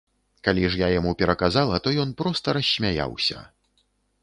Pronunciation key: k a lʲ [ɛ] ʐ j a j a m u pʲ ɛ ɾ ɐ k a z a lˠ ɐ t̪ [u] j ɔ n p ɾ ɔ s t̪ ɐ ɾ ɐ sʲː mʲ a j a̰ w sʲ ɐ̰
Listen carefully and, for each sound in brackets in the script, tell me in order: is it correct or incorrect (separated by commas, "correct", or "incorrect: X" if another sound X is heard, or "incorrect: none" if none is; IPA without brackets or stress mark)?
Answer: incorrect: i, incorrect: ɔ